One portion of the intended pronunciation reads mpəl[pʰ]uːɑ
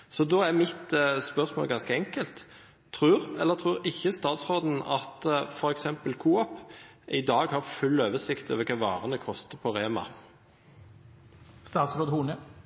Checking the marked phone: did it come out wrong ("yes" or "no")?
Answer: yes